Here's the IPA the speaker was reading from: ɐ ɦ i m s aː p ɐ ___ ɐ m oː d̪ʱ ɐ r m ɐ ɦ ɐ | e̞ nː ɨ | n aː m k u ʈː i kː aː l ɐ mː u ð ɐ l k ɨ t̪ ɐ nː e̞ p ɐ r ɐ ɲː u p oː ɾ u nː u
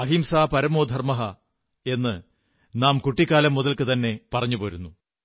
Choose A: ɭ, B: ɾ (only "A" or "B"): B